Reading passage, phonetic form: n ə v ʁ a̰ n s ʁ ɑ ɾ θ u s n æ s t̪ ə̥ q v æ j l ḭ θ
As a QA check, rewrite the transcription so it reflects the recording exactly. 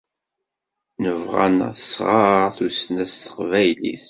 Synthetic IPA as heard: n ə v ʁ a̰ n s ʁ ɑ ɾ θ u s n æ s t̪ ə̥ q v æ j l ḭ θ